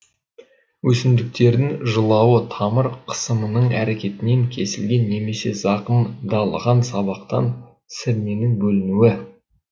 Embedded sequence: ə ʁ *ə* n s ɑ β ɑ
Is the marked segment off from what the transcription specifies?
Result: yes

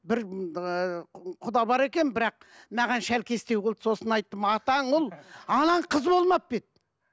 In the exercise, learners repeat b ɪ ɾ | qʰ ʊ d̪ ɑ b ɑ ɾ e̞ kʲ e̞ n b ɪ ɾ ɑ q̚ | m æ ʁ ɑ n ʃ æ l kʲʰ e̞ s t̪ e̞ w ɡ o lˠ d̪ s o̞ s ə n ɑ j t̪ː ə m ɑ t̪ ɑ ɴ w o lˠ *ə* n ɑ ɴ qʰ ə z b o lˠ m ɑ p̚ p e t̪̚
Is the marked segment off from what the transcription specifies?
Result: yes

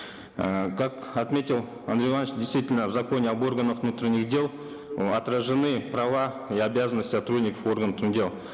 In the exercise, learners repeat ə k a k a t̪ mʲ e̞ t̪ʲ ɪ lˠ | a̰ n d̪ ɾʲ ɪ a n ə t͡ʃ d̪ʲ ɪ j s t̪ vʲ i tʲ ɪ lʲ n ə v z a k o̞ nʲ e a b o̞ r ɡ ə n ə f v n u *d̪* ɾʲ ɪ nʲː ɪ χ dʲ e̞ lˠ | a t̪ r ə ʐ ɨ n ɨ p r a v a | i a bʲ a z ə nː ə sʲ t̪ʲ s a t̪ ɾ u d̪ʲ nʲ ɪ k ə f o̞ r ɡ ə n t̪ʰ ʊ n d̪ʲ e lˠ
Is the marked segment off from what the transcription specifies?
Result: yes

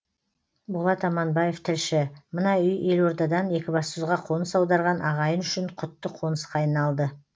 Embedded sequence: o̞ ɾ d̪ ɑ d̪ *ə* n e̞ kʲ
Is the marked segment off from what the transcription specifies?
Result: yes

